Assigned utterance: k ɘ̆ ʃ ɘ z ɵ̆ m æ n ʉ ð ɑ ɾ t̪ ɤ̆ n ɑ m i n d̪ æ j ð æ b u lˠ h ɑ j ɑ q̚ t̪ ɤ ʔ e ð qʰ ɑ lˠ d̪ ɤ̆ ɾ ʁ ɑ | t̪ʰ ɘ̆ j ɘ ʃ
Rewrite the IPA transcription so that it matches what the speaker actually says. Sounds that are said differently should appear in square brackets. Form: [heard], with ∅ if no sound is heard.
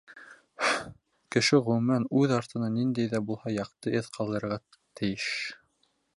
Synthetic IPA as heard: k ɘ̆ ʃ ɘ [ʁ] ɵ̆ m æ n ʉ ð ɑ ɾ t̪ ɤ̆ n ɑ [n] i n d̪ æ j ð æ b u lˠ h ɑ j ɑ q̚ t̪ ɤ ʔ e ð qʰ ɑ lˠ d̪ ɤ̆ ɾ ʁ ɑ | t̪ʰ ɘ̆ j ɘ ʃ